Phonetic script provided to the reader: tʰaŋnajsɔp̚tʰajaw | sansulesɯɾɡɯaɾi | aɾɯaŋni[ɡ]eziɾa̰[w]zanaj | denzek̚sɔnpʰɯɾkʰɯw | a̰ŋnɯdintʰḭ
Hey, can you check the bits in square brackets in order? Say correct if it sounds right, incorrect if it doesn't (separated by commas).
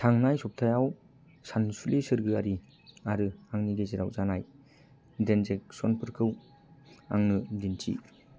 correct, correct